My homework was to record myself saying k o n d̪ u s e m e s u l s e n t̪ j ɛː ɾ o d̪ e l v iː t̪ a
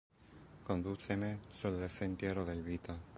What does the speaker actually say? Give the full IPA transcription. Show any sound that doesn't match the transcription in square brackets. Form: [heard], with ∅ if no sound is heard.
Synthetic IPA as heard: k o n d̪ u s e m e s u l s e n t̪ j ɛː ɾ o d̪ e l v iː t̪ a